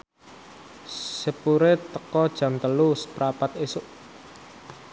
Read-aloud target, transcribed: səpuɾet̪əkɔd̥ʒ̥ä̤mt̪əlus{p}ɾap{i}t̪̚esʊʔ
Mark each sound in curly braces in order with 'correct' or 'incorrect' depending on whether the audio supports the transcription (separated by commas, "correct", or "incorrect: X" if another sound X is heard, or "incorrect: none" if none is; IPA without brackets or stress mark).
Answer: correct, incorrect: a